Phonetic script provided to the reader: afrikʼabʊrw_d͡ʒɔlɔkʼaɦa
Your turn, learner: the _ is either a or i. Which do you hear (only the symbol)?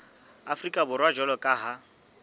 a